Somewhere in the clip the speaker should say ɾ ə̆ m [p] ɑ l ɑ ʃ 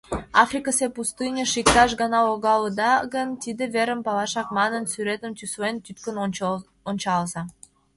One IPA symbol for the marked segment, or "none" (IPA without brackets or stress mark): p